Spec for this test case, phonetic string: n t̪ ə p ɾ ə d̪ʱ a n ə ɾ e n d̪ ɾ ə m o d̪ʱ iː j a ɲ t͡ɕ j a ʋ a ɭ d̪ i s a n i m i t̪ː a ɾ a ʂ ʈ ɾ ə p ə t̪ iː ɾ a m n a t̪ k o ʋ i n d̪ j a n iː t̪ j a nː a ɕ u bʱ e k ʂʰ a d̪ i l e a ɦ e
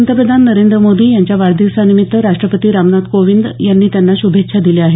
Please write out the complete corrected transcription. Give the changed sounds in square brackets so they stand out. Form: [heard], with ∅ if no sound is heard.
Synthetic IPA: n t̪ ə p ɾ ə d̪ʱ a [nː] ə ɾ e n d̪ ɾ ə m o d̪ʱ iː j a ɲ t͡ɕ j a ʋ a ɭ d̪ i s a n i m i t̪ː [ə] ɾ a ʂ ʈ ɾ ə p ə t̪ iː ɾ a m n a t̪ k o ʋ i n d̪ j a [nː] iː t̪ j a nː a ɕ u bʱ e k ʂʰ a d̪ i l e a ɦ e